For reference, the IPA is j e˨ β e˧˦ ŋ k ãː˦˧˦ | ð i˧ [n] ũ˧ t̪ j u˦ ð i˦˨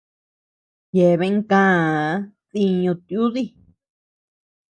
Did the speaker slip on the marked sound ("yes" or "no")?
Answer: yes